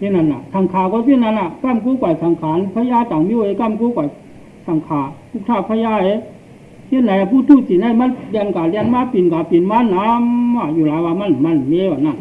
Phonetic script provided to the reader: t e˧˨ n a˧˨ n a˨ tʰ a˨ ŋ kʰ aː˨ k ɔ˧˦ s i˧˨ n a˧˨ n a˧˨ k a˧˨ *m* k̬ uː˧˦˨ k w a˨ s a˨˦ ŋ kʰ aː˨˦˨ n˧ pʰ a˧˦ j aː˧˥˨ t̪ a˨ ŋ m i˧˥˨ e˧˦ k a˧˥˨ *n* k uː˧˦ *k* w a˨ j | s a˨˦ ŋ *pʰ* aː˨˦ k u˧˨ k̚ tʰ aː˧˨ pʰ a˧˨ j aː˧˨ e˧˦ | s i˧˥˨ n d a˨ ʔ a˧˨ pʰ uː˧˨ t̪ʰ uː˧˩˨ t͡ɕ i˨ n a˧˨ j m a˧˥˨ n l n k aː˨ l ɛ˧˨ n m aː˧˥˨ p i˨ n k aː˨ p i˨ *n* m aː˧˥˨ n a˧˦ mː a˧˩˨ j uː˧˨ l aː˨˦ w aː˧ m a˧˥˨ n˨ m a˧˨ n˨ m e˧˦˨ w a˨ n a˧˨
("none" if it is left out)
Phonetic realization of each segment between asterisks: m, m, k, kʰ, n

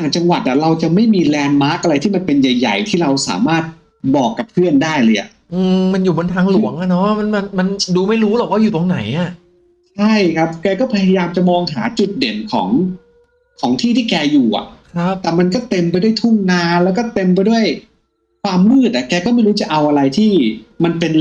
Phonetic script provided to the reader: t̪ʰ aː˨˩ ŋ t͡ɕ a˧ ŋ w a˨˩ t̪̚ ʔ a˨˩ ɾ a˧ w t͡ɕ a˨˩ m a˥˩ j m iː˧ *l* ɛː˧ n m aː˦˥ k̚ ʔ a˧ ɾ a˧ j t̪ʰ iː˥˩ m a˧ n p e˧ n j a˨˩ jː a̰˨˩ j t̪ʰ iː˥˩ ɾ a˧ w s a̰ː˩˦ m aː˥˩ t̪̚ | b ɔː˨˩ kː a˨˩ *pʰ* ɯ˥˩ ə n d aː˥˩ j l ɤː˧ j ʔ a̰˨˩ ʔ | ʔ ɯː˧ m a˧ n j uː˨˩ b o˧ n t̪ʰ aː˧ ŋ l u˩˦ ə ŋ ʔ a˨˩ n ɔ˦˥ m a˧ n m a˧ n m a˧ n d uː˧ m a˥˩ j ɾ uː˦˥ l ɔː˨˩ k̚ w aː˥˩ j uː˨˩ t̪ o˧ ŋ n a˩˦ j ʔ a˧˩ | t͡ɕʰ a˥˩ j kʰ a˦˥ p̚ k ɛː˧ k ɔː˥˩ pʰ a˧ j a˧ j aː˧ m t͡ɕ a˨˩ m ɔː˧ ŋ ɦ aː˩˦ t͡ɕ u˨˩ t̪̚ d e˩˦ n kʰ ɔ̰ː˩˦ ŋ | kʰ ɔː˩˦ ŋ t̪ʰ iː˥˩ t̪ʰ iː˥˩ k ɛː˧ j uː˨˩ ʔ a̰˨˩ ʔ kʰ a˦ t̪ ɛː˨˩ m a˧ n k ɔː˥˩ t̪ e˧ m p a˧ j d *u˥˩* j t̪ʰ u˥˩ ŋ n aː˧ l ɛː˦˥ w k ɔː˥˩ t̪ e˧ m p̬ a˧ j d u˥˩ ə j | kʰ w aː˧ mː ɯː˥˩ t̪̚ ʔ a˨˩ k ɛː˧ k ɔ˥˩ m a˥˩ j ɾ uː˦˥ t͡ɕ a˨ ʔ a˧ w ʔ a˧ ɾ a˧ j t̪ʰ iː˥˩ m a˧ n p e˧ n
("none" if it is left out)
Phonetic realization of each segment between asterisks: l, pʰ, u˥˩

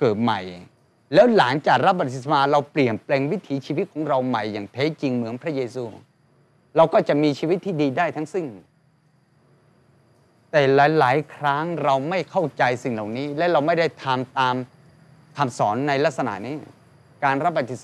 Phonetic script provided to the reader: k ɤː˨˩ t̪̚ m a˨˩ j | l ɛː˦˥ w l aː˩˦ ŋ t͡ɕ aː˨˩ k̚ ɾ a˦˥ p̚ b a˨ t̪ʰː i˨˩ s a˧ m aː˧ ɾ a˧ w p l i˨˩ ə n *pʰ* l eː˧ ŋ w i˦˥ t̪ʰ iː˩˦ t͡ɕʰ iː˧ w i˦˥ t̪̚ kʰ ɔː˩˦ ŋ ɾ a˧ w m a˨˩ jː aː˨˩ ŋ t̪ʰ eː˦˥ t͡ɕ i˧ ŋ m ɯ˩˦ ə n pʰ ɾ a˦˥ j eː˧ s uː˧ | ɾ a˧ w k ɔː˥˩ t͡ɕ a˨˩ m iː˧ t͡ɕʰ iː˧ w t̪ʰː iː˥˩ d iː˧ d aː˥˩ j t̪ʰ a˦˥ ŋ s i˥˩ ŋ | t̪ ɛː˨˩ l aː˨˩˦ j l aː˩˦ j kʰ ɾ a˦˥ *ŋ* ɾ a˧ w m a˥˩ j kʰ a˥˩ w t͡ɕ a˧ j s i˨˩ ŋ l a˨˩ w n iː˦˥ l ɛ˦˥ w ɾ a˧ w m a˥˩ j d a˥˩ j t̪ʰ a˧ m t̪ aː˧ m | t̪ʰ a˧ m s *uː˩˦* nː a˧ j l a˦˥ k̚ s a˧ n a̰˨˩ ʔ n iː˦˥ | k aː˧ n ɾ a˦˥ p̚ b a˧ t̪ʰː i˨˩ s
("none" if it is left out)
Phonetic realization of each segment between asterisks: p, ŋ, ɔː˩˦

